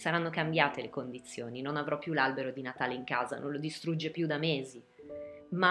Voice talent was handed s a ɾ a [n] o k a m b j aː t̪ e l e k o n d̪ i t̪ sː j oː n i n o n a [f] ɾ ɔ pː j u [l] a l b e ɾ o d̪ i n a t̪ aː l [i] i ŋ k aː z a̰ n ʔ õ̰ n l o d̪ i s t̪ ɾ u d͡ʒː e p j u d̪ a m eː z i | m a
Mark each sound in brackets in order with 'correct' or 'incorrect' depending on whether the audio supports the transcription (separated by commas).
incorrect, incorrect, correct, incorrect